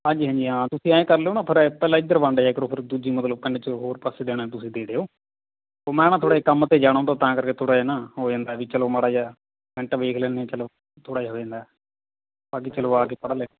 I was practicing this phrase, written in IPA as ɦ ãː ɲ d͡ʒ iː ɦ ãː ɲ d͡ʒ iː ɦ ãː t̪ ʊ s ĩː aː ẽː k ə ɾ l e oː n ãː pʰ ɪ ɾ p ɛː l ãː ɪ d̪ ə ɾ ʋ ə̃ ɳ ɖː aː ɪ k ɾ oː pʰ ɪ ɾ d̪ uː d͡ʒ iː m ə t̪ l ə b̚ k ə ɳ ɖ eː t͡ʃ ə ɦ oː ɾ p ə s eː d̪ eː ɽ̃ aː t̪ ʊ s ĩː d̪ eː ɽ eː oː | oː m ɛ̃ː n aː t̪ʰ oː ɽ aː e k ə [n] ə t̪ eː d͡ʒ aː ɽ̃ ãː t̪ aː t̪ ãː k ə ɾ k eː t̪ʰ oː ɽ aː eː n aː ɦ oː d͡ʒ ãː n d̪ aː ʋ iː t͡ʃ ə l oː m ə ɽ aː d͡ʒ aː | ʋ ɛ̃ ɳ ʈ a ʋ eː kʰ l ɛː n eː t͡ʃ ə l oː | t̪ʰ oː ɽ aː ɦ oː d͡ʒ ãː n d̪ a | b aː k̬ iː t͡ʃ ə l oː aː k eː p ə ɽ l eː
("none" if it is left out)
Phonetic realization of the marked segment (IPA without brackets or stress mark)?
m